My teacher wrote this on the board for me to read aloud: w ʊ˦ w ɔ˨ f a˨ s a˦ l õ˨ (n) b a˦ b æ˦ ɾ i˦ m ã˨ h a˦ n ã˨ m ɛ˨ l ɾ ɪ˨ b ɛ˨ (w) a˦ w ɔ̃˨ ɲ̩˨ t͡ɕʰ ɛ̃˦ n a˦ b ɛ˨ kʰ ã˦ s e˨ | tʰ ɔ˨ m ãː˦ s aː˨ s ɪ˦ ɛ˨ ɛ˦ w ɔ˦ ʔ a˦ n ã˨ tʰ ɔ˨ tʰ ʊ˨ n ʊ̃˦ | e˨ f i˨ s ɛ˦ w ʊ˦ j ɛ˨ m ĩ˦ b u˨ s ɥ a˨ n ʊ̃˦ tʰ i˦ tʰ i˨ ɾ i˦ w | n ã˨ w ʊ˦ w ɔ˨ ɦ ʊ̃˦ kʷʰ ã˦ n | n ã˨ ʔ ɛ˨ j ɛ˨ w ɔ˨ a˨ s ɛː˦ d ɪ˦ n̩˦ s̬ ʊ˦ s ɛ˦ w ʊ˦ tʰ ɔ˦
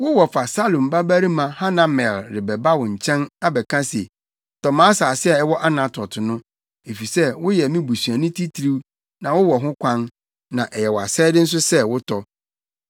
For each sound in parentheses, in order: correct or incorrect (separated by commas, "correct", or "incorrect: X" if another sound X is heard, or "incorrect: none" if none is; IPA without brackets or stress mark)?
incorrect: m, incorrect: b